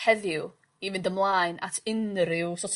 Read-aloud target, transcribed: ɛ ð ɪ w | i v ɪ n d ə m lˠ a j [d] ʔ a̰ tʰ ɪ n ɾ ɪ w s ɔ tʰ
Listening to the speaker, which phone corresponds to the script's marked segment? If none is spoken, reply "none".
n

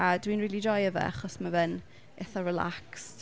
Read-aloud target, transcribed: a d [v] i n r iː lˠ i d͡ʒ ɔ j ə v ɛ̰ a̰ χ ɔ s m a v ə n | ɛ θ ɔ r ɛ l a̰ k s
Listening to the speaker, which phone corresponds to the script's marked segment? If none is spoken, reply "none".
w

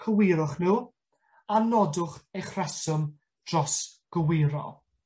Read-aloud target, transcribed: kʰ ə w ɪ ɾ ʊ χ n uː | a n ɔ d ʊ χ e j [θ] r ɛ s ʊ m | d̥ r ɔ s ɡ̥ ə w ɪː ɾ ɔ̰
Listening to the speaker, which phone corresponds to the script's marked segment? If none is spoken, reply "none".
χ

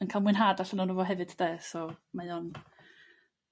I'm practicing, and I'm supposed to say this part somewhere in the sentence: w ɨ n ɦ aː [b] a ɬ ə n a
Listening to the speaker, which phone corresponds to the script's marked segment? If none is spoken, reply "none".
d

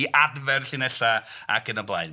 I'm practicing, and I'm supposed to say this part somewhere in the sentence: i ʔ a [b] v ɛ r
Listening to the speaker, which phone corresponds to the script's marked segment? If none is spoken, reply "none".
d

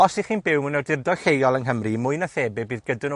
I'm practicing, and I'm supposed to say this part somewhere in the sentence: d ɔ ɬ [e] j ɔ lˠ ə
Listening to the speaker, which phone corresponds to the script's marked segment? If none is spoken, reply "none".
e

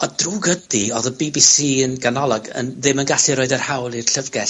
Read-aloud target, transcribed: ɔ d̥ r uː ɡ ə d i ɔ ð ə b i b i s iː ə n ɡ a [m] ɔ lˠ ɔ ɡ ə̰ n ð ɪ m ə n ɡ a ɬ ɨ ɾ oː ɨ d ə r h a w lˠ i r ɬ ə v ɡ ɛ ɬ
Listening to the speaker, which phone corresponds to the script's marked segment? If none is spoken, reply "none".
n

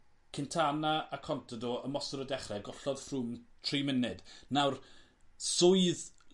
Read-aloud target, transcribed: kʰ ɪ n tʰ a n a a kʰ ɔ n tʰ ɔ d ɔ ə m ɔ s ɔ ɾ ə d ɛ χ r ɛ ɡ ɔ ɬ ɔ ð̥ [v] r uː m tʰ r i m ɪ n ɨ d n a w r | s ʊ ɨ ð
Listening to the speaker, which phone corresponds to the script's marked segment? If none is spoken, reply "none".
f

